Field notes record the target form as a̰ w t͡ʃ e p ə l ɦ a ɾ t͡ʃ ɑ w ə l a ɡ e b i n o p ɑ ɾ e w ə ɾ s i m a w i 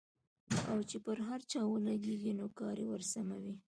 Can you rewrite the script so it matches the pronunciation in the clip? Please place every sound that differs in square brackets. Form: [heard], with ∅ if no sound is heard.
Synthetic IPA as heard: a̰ w t͡ʃ e p ə [ɾ] ɦ a ɾ t͡ʃ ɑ w ə l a ɡ e [ɡ] i n o [k] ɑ ɾ e w ə ɾ s [a] m a w i